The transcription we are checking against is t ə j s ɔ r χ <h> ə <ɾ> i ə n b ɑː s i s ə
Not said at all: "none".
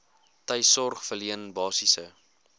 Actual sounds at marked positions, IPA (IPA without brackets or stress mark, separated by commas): f, l